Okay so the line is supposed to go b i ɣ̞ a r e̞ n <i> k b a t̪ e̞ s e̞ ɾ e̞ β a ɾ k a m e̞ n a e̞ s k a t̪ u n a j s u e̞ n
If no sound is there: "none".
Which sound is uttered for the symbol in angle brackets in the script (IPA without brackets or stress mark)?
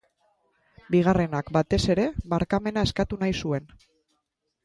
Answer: a